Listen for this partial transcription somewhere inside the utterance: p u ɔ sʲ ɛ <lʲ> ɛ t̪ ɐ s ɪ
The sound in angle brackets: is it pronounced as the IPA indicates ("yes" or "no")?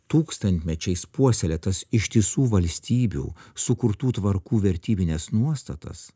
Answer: yes